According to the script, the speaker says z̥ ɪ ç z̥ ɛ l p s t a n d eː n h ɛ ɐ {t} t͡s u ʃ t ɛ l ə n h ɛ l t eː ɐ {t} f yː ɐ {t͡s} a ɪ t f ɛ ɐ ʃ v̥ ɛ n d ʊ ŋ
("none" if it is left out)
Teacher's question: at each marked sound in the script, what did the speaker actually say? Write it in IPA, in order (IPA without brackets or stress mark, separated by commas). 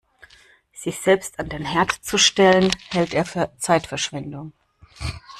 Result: t, none, t͡s